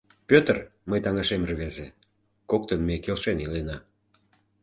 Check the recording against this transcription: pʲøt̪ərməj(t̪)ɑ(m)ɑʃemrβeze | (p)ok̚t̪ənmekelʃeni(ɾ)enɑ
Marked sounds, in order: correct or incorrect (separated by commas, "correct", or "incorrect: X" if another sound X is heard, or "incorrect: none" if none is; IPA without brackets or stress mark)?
correct, incorrect: ŋ, incorrect: k, incorrect: l